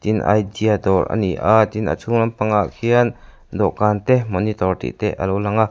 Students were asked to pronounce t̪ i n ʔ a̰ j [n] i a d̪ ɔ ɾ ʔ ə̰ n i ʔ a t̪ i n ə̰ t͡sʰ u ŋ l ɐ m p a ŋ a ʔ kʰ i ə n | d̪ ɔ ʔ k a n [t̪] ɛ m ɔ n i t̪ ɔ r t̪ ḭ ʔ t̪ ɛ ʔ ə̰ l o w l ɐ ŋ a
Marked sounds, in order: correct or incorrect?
incorrect: d, correct

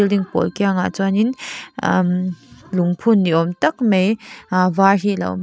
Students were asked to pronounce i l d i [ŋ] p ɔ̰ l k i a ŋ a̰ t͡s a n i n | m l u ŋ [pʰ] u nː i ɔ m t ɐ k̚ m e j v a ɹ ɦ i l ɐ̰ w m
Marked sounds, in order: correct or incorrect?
correct, correct

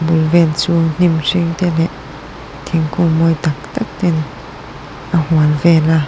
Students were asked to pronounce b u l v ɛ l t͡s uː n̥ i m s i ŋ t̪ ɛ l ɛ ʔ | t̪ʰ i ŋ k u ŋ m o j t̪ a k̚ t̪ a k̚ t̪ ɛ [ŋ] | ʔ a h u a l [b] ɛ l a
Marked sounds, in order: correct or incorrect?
incorrect: n, incorrect: v

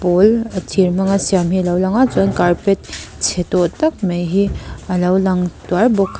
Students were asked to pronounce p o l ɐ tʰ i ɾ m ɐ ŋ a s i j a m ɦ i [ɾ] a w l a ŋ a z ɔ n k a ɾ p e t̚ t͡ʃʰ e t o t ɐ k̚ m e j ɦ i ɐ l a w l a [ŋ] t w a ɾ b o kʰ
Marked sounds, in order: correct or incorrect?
incorrect: l, correct

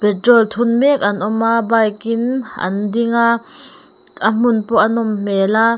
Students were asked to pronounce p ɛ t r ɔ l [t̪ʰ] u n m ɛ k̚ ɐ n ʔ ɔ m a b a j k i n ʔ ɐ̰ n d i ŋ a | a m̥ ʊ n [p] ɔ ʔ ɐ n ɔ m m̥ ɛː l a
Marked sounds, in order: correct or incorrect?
correct, correct

